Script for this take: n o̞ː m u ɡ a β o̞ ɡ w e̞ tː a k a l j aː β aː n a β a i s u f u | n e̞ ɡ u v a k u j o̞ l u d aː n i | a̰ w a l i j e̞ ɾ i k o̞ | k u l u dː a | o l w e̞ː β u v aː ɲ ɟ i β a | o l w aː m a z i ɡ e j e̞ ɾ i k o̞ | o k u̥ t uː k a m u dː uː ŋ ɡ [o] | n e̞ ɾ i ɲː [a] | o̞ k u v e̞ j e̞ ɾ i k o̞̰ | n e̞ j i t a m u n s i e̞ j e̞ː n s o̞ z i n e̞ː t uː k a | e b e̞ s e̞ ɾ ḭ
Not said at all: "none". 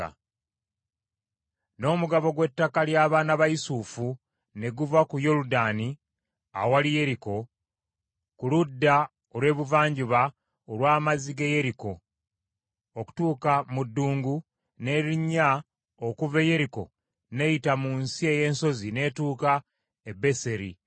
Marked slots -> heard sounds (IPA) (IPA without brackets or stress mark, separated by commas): u, a